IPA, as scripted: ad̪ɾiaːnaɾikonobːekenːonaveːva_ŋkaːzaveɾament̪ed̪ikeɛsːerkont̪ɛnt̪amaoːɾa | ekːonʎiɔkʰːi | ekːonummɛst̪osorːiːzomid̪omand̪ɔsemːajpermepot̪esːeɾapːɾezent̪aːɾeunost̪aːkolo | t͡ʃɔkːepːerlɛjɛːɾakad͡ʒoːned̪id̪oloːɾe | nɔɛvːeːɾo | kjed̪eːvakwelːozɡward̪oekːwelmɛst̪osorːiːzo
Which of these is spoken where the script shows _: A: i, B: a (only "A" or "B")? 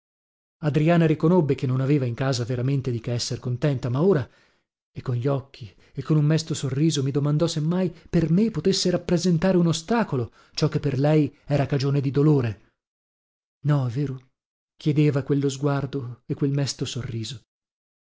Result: A